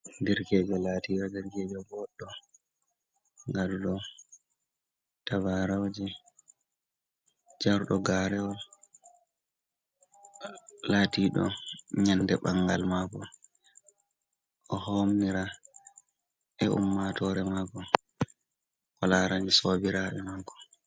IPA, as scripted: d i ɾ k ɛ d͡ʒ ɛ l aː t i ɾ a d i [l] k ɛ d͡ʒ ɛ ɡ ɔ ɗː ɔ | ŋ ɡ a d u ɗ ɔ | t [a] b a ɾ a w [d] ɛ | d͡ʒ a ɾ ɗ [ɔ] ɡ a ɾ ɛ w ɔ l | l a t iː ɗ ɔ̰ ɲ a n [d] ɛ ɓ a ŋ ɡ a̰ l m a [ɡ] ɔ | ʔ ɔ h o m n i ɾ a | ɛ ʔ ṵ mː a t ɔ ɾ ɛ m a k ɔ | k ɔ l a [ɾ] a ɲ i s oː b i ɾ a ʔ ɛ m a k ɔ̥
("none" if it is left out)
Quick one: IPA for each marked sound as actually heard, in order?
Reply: ɾ, a, d͡ʒ, ɔ, d, k, ɾ

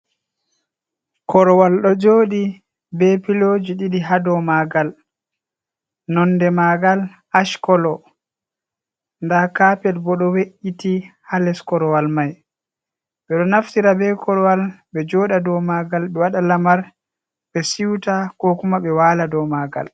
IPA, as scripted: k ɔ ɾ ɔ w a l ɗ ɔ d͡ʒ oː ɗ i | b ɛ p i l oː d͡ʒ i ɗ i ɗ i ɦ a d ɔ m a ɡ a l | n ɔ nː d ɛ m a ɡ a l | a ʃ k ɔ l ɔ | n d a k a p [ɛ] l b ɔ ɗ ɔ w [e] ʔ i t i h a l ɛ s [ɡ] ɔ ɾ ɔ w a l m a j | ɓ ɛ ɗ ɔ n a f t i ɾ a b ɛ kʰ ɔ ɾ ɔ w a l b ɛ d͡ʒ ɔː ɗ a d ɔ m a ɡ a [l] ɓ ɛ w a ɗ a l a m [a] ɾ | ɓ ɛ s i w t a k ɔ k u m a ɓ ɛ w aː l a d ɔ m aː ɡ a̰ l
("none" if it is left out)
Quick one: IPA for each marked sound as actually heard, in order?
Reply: ɛ, e, k, l, a

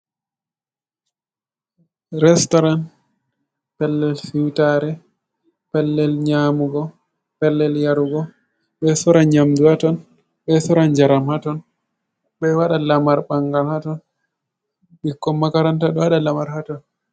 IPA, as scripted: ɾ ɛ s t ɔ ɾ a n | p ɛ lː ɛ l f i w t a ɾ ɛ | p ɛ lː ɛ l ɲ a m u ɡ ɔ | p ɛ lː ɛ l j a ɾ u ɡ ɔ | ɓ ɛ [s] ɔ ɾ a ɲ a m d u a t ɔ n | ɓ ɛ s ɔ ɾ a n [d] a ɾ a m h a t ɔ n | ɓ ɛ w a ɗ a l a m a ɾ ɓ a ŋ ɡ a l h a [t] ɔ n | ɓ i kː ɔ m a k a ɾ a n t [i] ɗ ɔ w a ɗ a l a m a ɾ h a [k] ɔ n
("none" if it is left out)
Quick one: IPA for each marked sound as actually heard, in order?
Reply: s, d͡ʒ, t, a, t

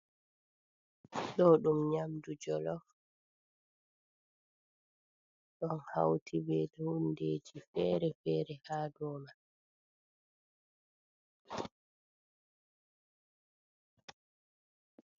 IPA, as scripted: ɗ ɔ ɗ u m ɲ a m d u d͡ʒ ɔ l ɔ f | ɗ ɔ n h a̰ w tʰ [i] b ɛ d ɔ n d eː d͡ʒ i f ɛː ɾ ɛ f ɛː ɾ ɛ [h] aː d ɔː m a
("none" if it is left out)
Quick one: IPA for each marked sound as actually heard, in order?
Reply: i, h

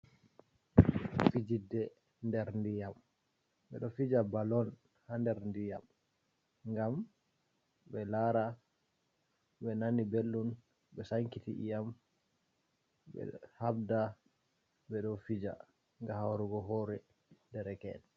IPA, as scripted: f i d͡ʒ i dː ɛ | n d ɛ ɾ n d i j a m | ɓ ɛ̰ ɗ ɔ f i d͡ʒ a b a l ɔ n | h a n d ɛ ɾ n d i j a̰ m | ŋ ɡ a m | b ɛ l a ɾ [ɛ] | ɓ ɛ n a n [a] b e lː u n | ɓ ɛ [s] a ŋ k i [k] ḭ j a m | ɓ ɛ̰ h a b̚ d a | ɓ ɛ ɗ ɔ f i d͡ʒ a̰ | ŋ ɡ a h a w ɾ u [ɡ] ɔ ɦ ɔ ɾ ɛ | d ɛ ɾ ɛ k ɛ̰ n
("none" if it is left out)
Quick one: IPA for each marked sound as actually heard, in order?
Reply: a, i, s, t, ɡ

